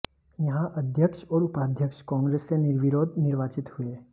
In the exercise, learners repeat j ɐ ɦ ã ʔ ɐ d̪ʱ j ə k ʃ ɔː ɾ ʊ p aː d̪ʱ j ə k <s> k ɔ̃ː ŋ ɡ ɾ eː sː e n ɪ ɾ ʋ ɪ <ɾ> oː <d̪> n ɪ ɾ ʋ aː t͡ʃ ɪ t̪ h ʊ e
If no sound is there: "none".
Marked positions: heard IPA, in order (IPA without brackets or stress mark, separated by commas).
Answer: ʃ, ɾ, d̪